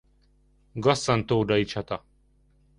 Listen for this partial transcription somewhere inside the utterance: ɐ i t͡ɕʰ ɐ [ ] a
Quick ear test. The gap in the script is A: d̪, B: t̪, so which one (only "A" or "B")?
B